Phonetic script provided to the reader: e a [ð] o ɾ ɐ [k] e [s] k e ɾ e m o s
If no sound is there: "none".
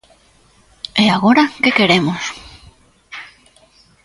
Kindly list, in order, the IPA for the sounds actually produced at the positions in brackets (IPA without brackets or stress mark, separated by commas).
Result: ɣ, k, none